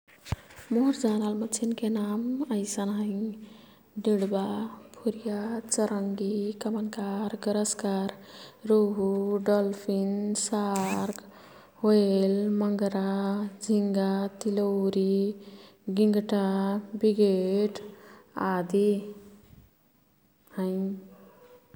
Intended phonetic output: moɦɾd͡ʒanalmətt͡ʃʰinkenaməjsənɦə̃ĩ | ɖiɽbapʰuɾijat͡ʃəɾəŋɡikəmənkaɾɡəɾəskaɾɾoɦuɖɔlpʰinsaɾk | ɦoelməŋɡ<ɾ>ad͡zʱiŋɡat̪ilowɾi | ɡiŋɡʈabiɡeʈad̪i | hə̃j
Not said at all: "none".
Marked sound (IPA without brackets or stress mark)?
ɾ